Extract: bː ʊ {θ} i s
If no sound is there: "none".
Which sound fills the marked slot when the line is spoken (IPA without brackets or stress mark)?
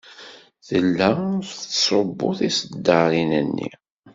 θ